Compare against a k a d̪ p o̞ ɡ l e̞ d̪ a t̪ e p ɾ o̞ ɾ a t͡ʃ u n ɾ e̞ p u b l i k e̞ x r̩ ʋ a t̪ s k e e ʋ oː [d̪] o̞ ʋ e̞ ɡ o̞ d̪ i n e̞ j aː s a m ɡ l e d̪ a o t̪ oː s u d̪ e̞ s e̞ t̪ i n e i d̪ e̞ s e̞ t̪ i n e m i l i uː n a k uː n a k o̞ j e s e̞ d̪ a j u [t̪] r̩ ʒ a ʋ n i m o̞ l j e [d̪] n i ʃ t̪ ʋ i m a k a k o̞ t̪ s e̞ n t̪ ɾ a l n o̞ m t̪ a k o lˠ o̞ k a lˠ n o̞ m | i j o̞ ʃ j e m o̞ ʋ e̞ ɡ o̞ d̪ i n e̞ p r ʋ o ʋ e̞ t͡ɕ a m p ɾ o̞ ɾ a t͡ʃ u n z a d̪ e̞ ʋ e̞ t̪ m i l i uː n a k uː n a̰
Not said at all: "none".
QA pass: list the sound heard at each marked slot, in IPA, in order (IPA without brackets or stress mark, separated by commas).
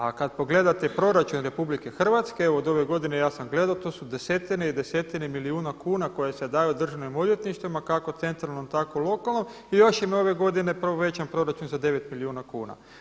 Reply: d̪, d̪, t̪